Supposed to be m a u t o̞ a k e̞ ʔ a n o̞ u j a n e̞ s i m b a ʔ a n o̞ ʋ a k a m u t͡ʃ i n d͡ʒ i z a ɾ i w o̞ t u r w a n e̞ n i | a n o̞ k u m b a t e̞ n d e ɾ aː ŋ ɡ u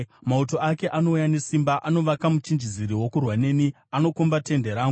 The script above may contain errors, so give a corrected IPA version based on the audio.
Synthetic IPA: m a u t o̞ a k e̞ ʔ a n o̞ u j a n e̞ s i m b a ʔ a n o̞ ʋ a k a m u t͡ʃ i n d͡ʒ i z i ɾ i w o̞ k u r w a n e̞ n i | a n o̞ k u m b a t e̞ n d e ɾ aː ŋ ɡ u